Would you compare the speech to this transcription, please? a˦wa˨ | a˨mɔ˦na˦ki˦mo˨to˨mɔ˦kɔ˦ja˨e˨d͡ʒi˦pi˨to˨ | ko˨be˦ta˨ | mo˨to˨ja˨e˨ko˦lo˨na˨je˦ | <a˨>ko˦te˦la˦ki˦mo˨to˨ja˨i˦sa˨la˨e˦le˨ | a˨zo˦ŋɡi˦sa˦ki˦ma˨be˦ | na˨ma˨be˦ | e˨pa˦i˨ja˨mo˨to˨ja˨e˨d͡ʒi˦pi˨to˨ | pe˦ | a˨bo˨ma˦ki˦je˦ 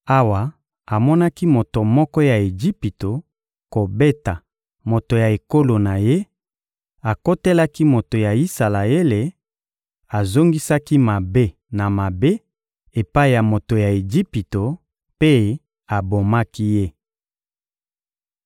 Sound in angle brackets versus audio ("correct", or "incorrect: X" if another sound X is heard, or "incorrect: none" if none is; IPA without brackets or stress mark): correct